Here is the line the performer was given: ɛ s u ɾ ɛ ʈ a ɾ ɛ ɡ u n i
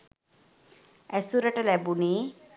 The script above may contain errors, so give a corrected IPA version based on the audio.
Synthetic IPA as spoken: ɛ s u ɾ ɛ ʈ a l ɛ b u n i